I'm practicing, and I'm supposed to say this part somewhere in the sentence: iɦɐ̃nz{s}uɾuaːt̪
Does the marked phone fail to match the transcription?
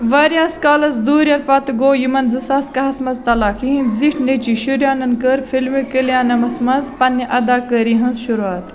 yes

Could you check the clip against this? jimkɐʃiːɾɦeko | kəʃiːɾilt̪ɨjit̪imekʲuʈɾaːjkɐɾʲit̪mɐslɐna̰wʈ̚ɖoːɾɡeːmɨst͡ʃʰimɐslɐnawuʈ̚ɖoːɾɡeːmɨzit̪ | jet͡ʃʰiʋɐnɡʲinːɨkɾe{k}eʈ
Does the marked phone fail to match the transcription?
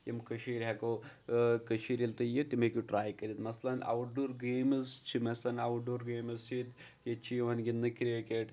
no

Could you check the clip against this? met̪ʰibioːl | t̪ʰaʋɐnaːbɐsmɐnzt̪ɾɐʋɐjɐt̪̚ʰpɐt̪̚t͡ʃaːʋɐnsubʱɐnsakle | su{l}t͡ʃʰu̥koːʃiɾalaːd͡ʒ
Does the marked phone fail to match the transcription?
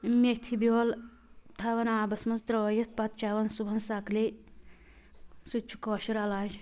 yes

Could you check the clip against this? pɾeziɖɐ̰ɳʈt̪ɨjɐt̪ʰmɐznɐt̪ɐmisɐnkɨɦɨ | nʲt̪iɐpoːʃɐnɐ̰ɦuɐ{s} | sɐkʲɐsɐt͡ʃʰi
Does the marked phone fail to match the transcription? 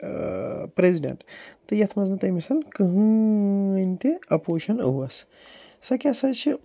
no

